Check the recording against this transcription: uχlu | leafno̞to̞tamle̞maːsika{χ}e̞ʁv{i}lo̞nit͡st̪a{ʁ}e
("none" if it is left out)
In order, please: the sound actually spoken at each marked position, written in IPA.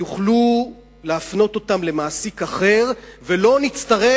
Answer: χ, e, ʁ

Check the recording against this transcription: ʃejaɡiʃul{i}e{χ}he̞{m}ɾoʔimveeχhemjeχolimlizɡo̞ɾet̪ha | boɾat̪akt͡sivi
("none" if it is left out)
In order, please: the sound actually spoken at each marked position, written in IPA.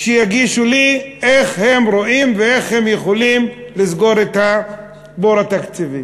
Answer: i, χ, m

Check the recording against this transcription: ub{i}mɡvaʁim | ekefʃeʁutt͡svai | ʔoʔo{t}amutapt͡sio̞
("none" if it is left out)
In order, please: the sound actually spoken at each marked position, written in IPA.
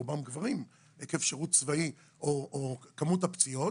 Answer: a, k

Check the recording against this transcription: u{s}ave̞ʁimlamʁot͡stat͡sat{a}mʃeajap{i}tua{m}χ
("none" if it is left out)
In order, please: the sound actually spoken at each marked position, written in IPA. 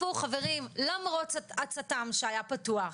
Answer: χ, a, a, none

